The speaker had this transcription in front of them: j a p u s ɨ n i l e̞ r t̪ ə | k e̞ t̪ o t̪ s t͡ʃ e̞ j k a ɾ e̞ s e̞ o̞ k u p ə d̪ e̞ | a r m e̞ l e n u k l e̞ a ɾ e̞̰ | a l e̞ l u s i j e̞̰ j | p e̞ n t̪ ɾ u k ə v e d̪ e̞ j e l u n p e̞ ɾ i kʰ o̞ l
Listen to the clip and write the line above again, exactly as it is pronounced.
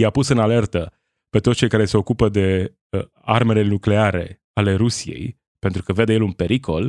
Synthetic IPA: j a p u s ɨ n a l e̞ r t̪ ə | p e̞ t̪ o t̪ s t͡ʃ e̞ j k a ɾ e̞ s e̞ o̞ k u p ə d̪ e̞ | a r m e̞ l e n u k l e̞ a ɾ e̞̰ | a l e̞ ɾ u s i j e̞̰ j | p e̞ n t̪ ɾ u k ə v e d̪ e̞ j e l u n p e̞ ɾ i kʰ o̞ l